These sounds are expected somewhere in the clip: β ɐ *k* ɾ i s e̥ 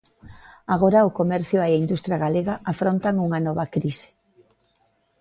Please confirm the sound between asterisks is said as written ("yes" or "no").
yes